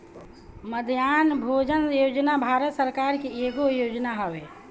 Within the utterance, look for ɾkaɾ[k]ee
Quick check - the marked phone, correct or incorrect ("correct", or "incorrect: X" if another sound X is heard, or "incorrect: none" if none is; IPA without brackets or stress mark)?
correct